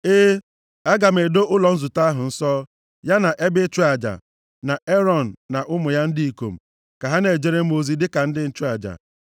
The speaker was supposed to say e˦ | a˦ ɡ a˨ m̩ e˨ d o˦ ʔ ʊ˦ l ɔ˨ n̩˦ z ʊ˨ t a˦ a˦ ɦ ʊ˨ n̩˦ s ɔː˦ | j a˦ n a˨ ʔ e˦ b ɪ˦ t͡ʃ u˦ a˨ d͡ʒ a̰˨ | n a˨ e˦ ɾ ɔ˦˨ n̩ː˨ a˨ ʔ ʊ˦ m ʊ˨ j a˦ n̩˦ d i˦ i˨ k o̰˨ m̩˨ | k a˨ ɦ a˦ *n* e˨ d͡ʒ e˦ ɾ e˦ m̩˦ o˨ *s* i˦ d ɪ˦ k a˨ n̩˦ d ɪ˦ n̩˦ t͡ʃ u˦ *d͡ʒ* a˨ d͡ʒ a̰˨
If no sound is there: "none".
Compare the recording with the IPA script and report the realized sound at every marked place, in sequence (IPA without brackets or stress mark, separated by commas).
n, z, none